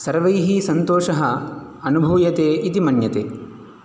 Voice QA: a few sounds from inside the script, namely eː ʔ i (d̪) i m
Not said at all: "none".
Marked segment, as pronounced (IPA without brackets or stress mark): t̪